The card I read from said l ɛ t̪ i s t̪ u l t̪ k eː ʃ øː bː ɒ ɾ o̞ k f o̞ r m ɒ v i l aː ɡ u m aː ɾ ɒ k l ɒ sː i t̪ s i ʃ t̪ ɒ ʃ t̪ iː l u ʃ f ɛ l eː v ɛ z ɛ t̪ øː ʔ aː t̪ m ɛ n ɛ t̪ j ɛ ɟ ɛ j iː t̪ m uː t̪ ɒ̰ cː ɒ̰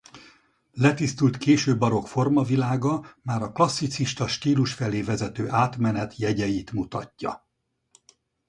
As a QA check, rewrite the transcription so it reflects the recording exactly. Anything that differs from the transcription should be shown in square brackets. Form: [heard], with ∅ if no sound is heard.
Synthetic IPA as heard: l ɛ t̪ i s t̪ u l t̪ k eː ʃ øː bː ɒ ɾ o̞ k f o̞ r m ɒ v i l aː ɡ [ɒ] m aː ɾ ɒ k l ɒ sː i t̪ s i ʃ t̪ ɒ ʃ t̪ iː l u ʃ f ɛ l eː v ɛ z ɛ t̪ øː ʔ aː t̪ m ɛ n ɛ t̪ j ɛ ɟ ɛ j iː t̪ m [u] t̪ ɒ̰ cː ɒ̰